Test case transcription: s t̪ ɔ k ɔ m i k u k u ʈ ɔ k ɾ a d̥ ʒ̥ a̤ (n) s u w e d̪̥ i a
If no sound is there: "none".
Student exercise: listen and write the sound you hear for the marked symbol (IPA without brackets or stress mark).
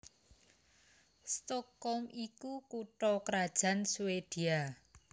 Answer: n